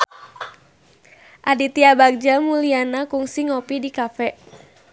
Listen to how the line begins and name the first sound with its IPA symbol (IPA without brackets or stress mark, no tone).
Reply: ʔ